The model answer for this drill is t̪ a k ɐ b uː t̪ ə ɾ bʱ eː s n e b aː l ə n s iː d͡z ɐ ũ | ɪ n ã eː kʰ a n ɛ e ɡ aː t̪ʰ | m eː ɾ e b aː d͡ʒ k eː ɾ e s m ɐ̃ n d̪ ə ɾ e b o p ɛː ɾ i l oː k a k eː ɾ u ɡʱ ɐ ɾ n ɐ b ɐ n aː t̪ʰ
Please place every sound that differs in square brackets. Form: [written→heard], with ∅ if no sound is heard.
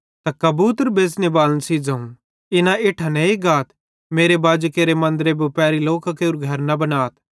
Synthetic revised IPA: t̪ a k ɐ b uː t̪ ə ɾ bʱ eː s n e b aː l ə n s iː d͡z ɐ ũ | ɪ n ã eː [kʰ→ʈʰ] a n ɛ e ɡ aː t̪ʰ | m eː ɾ e b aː d͡ʒ k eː ɾ e [s→∅] m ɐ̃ n d̪ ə ɾ e b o p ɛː ɾ i l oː k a k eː ɾ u ɡʱ ɐ ɾ n ɐ b ɐ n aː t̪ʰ